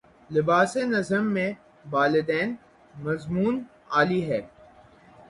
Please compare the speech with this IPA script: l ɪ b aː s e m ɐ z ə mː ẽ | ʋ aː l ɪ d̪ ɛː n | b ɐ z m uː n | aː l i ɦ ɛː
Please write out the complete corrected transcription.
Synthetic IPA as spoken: l ɪ b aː s e n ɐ z ə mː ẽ | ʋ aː l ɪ d̪ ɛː n | m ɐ z m uː n | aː l i ɦ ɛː